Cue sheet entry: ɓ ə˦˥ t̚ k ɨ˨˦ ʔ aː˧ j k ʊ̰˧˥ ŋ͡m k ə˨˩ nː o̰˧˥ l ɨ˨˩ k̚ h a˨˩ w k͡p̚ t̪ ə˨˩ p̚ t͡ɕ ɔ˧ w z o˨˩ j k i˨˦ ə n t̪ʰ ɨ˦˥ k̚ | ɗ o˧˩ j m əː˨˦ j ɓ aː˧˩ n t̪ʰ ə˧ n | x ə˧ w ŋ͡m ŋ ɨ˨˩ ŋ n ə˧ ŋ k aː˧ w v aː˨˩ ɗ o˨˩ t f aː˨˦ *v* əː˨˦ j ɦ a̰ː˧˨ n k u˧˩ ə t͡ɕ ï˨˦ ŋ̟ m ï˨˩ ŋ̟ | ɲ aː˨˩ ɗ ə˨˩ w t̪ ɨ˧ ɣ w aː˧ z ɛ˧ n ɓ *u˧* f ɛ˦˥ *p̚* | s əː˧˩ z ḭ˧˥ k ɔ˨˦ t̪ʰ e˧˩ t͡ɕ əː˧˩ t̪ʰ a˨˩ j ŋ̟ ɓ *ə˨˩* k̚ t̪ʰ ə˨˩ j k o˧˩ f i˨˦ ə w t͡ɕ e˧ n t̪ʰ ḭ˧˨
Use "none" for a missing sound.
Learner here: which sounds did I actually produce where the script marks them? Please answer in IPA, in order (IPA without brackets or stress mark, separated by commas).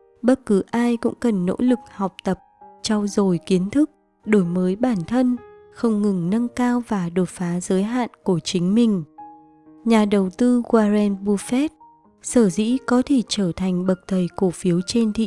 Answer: z, u˧, t̚, ə˨˩